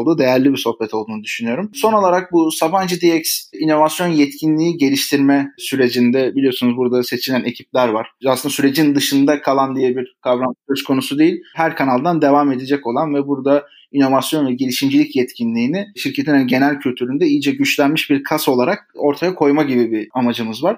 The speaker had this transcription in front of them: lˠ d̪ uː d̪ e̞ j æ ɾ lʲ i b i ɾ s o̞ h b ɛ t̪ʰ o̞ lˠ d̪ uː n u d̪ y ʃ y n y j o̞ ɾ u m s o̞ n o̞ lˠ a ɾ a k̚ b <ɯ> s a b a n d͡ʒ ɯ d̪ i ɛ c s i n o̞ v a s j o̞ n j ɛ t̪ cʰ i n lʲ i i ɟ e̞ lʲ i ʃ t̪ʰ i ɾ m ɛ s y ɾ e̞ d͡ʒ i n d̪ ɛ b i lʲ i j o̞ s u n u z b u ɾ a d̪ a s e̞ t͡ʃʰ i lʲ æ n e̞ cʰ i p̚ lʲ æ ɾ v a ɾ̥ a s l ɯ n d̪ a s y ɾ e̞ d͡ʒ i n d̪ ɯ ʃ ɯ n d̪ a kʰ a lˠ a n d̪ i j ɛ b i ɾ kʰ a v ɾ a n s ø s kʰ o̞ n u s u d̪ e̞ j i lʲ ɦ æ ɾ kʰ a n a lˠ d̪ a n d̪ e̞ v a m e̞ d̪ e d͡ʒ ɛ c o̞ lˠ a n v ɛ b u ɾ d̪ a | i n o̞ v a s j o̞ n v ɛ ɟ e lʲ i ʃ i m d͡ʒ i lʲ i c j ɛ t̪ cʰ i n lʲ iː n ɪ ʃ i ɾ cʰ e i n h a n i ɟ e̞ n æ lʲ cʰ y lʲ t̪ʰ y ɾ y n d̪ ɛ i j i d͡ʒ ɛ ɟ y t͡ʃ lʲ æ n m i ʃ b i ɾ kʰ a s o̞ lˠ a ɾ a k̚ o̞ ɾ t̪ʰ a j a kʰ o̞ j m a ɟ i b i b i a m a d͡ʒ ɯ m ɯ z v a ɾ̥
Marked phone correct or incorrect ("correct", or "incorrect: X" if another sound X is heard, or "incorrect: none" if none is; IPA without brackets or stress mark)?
incorrect: u